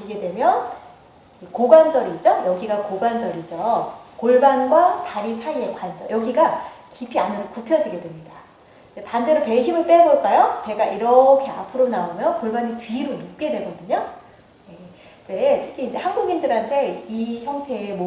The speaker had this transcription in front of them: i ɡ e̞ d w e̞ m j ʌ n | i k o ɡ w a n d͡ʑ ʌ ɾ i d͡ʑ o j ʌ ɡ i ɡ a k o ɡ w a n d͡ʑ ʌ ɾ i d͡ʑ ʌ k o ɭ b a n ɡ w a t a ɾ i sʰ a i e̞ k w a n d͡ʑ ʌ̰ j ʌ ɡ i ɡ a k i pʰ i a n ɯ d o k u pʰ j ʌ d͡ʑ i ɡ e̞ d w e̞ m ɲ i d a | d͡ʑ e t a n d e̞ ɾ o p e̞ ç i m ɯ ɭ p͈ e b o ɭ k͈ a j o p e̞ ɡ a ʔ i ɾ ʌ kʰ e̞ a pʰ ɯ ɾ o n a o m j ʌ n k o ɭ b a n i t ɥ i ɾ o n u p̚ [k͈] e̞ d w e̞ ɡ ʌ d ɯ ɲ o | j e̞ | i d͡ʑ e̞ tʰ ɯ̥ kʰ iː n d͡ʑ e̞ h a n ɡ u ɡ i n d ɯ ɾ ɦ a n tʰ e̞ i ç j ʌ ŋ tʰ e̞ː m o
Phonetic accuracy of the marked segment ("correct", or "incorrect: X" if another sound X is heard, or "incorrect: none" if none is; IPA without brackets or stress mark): correct